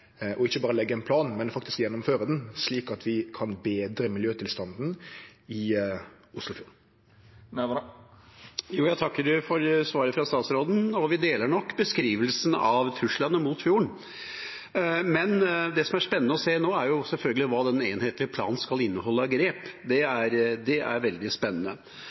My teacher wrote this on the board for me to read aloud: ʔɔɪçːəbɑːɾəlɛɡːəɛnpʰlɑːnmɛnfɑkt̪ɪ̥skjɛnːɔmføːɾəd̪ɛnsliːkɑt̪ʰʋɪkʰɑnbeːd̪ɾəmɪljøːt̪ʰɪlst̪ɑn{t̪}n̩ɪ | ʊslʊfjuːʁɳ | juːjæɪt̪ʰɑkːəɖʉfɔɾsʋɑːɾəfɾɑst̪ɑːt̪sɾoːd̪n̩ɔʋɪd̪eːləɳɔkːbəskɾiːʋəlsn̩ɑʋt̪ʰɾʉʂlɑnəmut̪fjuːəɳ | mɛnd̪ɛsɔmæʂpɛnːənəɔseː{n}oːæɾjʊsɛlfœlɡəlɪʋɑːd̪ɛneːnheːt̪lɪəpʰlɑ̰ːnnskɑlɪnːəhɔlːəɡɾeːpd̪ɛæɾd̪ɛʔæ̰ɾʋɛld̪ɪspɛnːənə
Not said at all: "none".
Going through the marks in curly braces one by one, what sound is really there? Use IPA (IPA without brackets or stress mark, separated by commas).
d̪, n